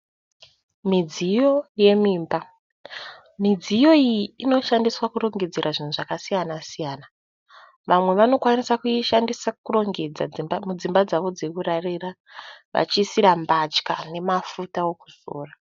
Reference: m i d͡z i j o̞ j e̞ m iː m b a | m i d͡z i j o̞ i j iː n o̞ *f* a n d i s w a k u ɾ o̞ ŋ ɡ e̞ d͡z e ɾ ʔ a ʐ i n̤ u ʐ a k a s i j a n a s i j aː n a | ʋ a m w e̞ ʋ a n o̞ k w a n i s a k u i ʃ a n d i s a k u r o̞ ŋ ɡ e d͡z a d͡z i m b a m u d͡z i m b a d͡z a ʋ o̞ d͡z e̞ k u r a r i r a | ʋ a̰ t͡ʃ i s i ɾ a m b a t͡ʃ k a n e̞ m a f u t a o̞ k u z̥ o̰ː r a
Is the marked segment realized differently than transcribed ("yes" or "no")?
yes